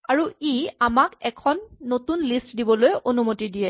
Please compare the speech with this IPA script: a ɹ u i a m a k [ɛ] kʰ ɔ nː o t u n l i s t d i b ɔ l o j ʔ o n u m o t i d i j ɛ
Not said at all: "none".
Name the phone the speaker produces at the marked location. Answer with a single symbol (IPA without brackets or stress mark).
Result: ɛ